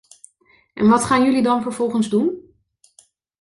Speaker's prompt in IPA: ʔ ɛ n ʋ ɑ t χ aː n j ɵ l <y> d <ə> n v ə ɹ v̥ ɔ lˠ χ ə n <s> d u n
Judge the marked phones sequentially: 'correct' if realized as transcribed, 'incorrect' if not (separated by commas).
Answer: incorrect, incorrect, incorrect